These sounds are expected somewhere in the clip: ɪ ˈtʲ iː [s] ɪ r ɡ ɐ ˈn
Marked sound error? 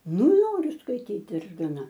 yes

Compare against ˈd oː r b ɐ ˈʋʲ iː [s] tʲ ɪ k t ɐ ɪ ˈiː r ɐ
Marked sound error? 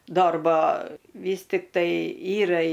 no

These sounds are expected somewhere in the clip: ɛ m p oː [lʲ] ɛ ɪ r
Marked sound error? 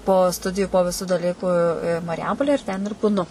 no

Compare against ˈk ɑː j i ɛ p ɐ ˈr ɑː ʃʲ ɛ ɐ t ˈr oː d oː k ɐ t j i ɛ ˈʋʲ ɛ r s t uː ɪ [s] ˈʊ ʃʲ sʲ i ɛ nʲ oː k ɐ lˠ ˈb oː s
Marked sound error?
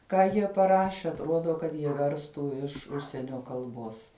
yes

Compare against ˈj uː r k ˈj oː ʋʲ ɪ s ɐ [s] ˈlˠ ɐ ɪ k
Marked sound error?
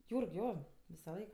yes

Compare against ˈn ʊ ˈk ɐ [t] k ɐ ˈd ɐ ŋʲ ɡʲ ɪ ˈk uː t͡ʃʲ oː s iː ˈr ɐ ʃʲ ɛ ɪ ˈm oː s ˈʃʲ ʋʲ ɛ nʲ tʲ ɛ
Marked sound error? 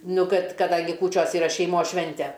no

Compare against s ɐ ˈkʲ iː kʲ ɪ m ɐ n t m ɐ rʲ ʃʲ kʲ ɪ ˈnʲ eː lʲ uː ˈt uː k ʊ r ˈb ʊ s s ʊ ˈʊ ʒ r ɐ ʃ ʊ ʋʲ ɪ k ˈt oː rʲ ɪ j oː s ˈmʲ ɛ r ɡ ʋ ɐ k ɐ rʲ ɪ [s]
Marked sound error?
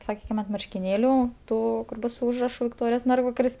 no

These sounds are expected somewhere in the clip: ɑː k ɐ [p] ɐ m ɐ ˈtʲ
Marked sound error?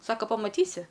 no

